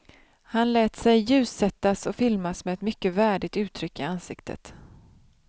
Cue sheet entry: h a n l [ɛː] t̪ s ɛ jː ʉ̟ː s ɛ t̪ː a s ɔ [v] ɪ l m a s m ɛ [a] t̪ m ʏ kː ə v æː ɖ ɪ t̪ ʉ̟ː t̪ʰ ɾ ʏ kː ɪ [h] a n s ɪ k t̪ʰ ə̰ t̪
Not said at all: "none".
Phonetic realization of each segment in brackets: ɛː, f, ɛ, none

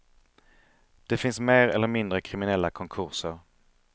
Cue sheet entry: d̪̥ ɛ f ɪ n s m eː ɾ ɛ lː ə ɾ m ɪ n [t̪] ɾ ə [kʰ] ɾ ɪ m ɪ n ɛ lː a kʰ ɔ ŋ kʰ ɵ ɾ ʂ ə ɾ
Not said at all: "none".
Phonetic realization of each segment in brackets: d̪, kʰ

